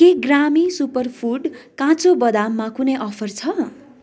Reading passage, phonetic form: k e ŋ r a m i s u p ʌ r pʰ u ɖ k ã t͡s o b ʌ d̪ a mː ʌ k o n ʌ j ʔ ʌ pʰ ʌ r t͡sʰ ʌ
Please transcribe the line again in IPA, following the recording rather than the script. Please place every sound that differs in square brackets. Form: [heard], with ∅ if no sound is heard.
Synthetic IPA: k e [ɡ] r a m i s u p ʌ r pʰ u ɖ k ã t͡s o b ʌ d̪ a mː [a] k [u] n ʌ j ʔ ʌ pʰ ʌ r t͡sʰ ʌ